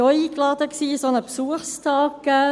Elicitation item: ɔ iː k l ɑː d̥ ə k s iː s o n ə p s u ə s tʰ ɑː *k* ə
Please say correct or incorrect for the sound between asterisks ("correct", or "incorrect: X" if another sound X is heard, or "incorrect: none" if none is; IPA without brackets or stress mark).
correct